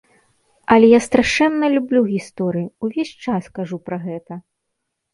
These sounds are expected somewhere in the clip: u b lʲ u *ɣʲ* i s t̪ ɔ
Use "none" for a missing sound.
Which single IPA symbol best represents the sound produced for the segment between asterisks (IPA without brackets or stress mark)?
ɣʲ